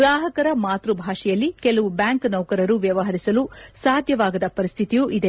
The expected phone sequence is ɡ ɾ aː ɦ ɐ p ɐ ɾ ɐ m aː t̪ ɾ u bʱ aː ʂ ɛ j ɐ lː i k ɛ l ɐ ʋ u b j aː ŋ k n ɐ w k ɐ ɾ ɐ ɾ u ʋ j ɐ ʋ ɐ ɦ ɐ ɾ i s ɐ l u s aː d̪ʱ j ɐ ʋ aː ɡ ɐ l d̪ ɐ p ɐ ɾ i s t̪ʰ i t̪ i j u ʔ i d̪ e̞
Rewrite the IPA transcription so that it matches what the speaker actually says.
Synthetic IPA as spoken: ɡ ɾ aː ɦ ɐ k ɐ ɾ ɐ m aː t̪ ɾ u bʱ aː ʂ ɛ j ɐ lː i k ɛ l ɐ ʋ u b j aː ŋ k n ɐ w k ɐ ɾ ɐ ɾ u ʋ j ɐ ʋ ɐ ɦ ɐ ɾ i s ɐ l u s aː d̪ʱ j ɐ ʋ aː ɡ ɐ d̪ ɐ p ɐ ɾ i s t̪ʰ i t̪ i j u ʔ i d̪ e̞